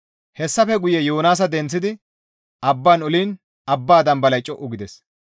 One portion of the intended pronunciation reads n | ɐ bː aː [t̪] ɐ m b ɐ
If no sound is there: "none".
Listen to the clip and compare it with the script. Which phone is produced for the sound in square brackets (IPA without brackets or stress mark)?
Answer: d̪